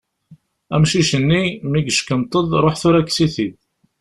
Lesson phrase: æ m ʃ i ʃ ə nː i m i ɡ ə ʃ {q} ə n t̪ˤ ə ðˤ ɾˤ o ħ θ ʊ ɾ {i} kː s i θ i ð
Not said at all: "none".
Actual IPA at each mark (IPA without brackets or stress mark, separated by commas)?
k, æ